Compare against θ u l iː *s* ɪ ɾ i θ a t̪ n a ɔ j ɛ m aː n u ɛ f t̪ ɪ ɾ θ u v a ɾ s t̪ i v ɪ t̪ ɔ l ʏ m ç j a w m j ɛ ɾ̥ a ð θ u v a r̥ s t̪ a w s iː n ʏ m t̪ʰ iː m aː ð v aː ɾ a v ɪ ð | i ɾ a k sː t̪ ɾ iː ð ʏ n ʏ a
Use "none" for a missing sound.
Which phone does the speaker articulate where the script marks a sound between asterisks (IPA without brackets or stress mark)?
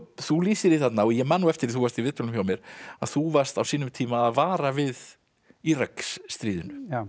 s